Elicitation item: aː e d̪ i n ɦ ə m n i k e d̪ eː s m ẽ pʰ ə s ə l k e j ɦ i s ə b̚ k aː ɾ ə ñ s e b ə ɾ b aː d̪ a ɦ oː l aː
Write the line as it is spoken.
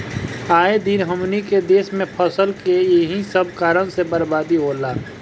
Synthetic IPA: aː e d̪ i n ɦ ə m n i k e d̪ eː s m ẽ pʰ ə s ə l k e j ɦ i s ə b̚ k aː ɾ ə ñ s e b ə ɾ b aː d̪ i ɦ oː l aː